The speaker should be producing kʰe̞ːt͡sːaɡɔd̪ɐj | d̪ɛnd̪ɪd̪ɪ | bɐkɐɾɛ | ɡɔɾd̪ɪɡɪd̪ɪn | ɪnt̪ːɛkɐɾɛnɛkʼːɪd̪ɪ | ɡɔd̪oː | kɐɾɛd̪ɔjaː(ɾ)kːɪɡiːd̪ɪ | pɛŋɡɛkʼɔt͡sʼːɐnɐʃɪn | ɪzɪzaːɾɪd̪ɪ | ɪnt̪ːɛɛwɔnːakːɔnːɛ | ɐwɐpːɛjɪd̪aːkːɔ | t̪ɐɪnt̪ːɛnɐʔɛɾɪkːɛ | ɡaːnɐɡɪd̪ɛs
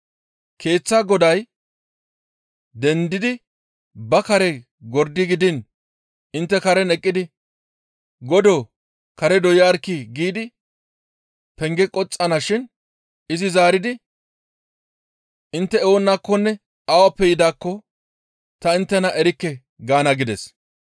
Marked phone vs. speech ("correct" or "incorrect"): correct